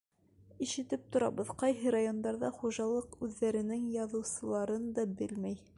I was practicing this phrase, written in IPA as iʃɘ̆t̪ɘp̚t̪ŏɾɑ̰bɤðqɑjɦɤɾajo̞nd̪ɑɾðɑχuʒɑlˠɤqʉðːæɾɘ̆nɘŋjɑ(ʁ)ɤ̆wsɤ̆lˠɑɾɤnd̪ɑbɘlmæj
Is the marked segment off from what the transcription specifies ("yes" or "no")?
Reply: yes